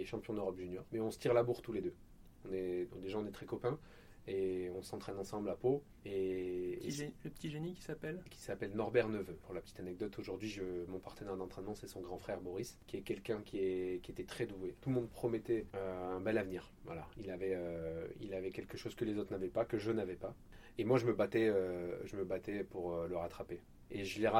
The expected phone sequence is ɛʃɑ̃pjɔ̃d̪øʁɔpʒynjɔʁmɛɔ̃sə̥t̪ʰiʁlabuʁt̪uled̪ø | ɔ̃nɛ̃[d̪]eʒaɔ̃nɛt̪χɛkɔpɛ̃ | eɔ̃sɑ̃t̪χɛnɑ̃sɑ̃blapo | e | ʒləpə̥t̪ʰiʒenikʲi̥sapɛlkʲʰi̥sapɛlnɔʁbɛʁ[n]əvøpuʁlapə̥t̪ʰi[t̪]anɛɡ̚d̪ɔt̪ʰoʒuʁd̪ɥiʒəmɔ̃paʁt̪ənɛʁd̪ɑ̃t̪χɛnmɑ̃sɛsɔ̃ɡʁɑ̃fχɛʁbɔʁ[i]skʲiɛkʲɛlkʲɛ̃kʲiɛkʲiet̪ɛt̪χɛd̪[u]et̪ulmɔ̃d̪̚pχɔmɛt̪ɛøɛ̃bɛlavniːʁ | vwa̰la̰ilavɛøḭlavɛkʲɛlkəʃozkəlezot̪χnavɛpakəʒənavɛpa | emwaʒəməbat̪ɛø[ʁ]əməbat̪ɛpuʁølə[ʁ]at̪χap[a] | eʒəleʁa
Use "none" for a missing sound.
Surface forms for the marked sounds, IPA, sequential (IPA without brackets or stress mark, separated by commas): d̪, n, t̪, i, u, ʒ, ʁ, e